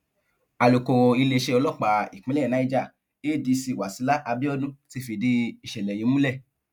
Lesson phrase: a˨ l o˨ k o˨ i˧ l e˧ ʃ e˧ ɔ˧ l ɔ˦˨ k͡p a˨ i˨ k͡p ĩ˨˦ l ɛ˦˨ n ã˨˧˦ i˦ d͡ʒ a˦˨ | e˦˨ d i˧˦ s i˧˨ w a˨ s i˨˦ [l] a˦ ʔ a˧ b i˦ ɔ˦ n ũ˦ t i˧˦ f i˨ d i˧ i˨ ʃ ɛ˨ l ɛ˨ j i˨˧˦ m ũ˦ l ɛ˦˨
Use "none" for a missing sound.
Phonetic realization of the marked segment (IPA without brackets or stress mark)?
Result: l